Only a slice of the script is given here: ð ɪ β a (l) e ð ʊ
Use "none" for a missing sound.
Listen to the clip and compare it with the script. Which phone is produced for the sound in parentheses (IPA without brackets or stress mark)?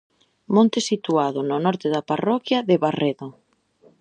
r